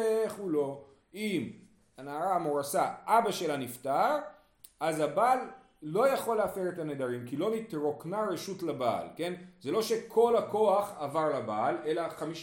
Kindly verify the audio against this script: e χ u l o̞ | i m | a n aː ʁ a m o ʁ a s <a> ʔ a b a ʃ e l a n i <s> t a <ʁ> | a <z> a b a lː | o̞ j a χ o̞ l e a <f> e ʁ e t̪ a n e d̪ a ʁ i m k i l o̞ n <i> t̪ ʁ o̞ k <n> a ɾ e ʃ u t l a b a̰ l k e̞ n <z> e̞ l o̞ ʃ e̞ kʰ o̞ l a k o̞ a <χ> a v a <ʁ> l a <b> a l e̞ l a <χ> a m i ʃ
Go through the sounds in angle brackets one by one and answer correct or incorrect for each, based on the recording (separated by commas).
correct, incorrect, correct, correct, correct, correct, correct, correct, correct, correct, correct, correct